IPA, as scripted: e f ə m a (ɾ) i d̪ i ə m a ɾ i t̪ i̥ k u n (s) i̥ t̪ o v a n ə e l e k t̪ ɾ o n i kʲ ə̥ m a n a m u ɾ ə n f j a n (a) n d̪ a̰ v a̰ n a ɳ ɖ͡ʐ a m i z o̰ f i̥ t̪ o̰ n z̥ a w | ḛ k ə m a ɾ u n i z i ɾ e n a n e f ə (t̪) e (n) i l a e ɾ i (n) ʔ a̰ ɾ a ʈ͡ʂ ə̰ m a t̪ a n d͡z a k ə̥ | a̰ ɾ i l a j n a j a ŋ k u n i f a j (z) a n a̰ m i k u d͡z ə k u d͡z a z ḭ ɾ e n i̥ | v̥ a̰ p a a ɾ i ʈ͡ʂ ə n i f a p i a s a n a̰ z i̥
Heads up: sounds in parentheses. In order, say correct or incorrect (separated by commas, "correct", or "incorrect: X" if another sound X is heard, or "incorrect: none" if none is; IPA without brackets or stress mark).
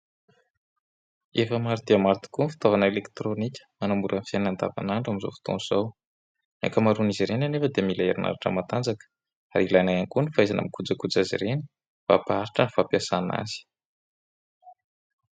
correct, incorrect: f, correct, incorrect: d̪, incorrect: m, correct, correct